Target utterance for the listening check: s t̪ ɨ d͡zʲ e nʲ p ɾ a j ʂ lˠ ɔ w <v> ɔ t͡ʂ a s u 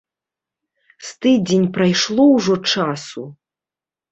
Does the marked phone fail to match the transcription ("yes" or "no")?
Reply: yes